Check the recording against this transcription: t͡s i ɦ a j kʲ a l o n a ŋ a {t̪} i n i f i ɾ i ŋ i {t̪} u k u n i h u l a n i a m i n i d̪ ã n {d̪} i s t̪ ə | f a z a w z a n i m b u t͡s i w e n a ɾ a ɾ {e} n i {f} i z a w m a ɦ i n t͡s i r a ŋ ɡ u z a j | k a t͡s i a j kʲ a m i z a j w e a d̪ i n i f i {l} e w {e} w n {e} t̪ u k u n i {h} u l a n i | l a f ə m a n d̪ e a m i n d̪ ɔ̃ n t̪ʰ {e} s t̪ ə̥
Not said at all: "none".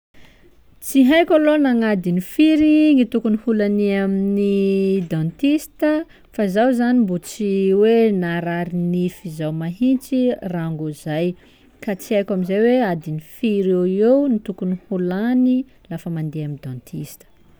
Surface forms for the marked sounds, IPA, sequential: d̪, t̪, t̪, i, f, ɾ, e, i, h, i

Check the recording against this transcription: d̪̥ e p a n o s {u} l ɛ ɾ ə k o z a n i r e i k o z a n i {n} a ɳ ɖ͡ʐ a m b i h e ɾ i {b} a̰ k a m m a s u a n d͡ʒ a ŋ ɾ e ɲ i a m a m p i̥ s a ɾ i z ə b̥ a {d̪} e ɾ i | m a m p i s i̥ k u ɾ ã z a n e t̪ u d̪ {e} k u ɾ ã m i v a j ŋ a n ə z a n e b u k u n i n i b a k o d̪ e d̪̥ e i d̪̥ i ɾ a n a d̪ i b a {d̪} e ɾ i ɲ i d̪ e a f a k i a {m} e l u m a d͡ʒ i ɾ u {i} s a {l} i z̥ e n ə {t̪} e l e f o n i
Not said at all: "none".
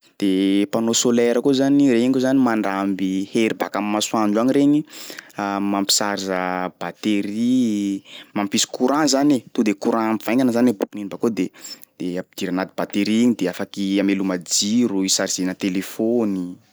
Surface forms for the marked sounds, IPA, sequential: o, m, b, t̪, e, t̪, m, i, ɾ, t̪

